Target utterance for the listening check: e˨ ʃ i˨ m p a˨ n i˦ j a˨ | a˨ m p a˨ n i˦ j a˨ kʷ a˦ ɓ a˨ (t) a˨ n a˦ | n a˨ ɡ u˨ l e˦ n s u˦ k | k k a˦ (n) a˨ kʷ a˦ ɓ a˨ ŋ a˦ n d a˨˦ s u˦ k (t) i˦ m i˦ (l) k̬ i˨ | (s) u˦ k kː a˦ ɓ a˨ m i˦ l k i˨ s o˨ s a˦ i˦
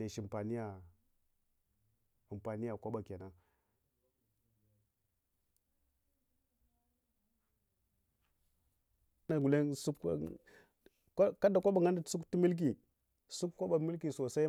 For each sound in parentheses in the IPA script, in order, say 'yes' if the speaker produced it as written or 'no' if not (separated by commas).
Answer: no, no, yes, yes, yes